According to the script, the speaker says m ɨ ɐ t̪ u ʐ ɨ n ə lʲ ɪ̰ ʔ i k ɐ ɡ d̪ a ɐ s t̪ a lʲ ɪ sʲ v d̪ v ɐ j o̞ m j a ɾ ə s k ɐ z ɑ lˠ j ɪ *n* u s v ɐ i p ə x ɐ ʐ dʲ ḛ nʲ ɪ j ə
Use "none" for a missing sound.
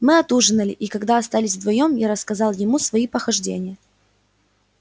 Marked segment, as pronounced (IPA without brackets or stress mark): m